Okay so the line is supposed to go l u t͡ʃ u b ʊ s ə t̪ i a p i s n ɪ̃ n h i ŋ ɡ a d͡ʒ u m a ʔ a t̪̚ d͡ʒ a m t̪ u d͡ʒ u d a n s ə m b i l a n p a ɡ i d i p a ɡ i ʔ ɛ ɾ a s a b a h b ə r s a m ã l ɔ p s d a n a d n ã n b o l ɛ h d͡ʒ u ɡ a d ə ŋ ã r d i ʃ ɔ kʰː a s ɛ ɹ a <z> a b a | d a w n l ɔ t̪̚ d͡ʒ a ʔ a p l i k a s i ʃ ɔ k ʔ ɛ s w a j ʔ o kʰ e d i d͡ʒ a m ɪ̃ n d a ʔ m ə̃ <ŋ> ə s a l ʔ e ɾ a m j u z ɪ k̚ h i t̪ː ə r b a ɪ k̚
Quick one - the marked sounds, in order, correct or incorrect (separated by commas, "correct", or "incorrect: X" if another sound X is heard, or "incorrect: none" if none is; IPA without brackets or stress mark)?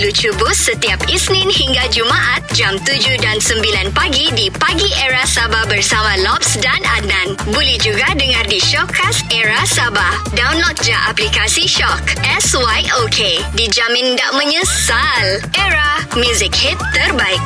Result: incorrect: s, incorrect: ɲ